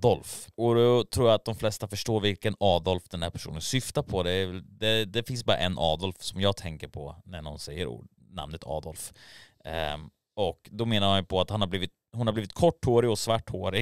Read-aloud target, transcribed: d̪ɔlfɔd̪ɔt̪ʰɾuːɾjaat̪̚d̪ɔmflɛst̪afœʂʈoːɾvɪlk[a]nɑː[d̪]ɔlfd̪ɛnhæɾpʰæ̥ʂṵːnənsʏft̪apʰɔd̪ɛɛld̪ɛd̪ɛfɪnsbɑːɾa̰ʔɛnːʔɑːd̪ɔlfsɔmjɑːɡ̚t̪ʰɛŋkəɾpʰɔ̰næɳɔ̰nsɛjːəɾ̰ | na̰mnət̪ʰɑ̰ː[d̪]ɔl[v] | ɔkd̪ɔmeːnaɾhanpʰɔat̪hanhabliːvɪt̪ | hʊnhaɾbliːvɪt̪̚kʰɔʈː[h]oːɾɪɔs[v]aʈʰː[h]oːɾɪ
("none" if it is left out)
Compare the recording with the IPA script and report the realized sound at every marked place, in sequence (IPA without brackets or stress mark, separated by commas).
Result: ə, d̪, d̪, f, h, v, h